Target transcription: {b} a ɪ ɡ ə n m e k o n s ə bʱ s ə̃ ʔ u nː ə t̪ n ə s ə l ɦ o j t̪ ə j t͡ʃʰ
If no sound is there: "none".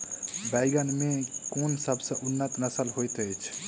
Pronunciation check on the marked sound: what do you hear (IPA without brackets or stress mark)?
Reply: b